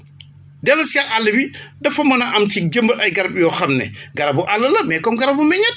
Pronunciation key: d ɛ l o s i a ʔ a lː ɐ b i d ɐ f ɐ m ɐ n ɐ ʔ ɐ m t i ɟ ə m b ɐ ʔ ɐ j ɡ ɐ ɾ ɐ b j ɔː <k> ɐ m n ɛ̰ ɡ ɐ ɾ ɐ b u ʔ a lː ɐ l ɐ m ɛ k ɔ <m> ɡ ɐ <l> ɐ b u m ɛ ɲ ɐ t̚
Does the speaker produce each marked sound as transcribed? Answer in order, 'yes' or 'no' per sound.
no, yes, no

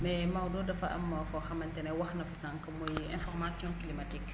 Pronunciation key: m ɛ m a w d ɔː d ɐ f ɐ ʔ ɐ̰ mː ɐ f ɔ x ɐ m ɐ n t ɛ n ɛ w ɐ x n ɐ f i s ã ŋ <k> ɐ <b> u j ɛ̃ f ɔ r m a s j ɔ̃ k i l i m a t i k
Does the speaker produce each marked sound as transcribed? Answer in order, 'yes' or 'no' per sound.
yes, no

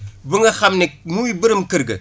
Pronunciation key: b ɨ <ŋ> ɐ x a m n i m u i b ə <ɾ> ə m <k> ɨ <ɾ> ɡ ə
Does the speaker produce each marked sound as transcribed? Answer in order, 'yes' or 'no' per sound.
yes, yes, yes, yes

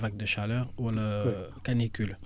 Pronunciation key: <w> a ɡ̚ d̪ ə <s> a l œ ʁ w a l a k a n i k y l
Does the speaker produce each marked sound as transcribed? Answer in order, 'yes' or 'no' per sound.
no, no

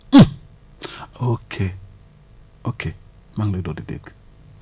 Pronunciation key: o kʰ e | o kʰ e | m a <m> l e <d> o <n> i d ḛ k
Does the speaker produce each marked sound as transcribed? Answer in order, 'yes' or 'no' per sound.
no, yes, no

